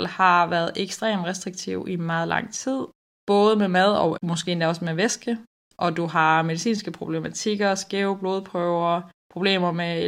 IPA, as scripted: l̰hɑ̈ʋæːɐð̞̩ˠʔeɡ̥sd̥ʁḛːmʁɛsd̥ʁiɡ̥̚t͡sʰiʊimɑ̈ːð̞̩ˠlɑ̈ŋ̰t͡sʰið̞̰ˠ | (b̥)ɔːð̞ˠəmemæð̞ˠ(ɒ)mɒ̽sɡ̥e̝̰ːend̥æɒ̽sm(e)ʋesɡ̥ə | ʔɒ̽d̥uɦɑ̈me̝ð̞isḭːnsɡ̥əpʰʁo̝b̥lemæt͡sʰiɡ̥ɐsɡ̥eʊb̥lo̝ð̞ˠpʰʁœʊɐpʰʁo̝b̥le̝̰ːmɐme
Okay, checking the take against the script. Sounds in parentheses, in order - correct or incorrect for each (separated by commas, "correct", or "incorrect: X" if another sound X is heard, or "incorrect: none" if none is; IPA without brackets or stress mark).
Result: correct, correct, correct